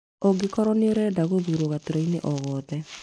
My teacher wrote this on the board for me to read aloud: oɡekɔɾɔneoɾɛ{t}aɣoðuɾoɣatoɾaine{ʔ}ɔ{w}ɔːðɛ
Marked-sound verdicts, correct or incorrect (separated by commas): incorrect, correct, incorrect